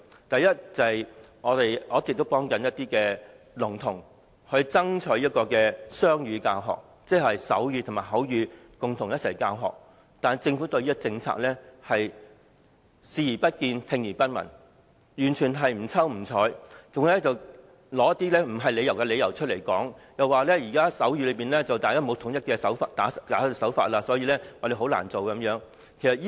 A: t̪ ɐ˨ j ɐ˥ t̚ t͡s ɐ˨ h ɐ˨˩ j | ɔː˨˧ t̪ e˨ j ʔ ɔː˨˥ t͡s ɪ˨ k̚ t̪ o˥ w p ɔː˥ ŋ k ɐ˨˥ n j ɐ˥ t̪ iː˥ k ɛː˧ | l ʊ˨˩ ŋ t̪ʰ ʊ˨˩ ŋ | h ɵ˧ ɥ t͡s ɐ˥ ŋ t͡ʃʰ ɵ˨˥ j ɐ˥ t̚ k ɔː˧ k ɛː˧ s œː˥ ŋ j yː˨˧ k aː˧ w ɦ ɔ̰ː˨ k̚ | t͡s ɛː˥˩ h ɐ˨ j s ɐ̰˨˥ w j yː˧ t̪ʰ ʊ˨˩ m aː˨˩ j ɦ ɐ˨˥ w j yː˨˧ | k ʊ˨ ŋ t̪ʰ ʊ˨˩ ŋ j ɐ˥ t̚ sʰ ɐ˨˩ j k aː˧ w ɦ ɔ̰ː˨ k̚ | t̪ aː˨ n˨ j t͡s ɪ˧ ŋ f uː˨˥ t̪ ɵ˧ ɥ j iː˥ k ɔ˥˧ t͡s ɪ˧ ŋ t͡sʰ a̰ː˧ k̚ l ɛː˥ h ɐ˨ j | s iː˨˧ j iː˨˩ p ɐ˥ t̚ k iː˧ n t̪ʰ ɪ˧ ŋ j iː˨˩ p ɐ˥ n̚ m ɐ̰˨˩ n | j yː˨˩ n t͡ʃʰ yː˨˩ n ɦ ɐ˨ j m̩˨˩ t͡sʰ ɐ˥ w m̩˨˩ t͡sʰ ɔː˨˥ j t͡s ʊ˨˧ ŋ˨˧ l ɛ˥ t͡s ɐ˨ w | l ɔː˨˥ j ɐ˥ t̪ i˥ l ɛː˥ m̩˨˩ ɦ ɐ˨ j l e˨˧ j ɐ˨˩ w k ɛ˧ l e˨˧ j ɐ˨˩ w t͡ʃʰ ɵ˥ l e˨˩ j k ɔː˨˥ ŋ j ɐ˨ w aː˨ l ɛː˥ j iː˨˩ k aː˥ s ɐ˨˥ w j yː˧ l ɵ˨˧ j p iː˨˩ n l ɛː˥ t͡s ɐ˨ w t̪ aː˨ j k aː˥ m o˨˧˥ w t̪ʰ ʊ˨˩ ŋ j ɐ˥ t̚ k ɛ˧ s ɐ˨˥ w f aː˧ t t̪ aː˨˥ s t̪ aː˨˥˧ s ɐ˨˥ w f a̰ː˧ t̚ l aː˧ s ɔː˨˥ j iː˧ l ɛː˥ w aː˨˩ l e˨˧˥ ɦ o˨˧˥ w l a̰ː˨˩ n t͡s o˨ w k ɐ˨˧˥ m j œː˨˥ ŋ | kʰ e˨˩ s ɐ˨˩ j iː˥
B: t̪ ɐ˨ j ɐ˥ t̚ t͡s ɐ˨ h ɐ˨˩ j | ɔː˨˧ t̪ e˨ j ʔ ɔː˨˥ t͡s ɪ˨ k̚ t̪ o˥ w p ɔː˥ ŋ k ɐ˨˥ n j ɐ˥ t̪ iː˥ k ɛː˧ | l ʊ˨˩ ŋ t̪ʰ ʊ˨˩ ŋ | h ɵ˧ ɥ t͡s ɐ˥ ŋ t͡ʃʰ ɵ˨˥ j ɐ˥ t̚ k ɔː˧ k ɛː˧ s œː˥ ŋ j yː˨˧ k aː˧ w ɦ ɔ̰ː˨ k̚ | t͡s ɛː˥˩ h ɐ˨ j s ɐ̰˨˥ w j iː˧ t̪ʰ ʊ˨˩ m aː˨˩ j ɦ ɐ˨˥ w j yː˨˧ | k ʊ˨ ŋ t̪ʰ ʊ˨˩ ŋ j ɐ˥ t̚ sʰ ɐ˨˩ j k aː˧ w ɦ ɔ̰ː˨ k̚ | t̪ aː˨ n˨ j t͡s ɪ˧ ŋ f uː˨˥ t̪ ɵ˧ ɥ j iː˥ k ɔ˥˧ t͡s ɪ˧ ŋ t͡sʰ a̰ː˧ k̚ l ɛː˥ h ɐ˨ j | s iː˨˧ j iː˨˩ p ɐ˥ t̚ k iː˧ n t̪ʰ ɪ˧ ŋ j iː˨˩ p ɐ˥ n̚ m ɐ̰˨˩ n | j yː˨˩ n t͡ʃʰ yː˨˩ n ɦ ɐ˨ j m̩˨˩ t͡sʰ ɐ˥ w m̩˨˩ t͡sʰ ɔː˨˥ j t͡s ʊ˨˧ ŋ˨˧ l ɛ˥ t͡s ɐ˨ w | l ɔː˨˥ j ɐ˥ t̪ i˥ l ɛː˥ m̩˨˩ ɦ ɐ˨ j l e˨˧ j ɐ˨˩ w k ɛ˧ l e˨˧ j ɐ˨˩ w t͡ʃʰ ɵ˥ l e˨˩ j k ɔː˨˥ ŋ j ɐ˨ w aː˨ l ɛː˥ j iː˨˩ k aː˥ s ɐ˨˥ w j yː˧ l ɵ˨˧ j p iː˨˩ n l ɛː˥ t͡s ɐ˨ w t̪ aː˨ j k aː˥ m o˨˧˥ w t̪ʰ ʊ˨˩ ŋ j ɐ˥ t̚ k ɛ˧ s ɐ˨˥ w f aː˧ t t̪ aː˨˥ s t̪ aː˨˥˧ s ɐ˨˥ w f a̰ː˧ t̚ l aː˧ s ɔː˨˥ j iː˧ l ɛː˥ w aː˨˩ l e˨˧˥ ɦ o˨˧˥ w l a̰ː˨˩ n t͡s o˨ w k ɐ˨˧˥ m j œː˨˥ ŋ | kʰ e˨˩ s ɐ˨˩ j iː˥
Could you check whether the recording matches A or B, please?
A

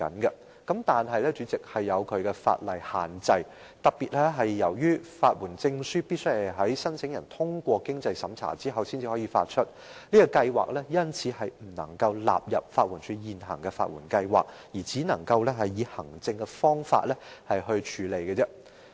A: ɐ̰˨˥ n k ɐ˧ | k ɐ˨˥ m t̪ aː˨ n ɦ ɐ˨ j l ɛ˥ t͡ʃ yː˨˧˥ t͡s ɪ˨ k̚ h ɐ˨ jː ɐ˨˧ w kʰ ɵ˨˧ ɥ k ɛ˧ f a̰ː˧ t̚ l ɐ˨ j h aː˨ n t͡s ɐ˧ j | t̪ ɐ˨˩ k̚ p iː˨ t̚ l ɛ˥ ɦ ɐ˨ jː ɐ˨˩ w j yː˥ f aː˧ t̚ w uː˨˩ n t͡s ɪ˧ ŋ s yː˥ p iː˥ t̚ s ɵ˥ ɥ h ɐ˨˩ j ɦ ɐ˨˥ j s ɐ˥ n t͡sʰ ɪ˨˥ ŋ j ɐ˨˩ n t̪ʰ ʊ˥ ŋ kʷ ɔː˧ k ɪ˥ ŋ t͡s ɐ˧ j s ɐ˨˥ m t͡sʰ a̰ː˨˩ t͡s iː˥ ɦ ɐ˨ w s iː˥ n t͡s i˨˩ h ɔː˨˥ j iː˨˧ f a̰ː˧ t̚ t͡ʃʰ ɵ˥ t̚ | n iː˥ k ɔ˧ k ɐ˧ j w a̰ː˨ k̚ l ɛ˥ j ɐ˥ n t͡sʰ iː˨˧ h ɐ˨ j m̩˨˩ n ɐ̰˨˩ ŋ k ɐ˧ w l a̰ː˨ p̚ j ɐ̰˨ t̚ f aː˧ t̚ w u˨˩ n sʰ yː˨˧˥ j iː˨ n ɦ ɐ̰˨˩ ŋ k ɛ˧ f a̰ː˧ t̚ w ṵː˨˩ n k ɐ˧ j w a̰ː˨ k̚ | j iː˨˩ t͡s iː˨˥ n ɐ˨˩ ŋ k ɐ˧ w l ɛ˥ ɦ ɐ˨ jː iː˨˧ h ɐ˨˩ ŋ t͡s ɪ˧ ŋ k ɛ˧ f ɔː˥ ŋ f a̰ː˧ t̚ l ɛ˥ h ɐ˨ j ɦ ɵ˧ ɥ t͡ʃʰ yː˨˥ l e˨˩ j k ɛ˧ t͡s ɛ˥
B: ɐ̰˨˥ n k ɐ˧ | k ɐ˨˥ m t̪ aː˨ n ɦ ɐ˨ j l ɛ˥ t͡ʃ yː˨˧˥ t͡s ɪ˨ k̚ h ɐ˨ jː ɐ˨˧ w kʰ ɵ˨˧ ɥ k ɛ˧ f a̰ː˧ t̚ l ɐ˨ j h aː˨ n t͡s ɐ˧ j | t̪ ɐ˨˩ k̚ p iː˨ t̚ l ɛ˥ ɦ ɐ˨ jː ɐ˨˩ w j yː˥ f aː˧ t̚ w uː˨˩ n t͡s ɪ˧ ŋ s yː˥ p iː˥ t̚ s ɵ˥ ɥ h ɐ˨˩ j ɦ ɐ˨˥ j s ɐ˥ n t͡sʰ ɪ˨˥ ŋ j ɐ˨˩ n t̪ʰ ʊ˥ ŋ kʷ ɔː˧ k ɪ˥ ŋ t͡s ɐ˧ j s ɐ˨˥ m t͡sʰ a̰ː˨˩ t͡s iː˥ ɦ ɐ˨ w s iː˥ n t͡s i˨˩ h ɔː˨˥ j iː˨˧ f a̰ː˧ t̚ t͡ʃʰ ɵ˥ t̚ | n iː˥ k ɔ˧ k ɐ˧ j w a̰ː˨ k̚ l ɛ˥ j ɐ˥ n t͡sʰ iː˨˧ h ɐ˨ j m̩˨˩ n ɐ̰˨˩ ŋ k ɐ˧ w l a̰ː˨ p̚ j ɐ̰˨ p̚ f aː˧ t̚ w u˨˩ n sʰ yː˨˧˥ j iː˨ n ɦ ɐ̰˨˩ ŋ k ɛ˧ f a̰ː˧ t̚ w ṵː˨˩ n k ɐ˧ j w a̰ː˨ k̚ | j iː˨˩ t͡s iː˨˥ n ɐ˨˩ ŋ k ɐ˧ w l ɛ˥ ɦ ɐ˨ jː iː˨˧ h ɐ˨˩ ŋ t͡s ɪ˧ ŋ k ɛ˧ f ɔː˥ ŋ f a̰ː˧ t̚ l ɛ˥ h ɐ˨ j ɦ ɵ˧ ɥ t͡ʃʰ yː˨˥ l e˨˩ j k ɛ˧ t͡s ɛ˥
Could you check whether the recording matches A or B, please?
B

